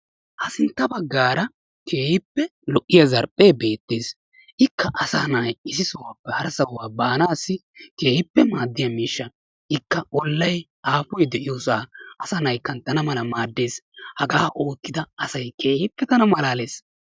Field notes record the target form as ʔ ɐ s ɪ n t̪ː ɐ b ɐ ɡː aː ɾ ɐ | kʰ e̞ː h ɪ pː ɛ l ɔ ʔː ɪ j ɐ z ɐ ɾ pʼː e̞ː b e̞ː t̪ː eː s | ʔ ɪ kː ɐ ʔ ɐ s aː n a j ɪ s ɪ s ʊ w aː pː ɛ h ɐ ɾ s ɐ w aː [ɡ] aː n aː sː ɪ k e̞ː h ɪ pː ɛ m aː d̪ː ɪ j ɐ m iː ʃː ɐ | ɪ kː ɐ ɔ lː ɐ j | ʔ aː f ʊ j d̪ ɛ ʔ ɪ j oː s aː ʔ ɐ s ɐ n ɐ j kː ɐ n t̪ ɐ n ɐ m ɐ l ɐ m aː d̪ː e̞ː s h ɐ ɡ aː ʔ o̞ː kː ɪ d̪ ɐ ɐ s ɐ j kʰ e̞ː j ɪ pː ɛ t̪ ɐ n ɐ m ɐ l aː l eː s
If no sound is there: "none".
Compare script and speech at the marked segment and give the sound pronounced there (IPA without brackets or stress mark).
b